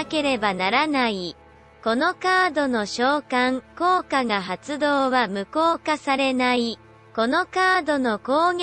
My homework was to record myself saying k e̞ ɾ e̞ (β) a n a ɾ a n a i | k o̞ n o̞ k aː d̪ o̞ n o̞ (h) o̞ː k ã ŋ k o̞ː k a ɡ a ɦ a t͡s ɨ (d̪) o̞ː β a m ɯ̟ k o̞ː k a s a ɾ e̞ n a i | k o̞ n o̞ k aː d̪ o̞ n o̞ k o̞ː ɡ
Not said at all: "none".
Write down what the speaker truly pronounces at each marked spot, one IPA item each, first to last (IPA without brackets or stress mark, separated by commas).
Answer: b, ɕ, d̪